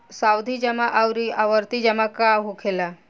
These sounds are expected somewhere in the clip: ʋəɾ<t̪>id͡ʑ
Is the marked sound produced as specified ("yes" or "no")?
yes